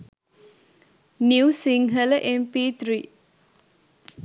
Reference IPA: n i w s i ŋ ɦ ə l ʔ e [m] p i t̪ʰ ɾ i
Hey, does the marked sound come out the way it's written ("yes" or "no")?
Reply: yes